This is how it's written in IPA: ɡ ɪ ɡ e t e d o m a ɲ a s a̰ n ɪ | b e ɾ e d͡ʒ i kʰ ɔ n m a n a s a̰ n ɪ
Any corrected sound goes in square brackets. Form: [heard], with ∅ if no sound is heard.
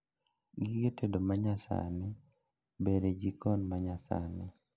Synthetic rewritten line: ɡ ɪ ɡ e t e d o m a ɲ a s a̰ n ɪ | b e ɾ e d͡ʒ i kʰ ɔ n m a [ɲ] a s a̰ n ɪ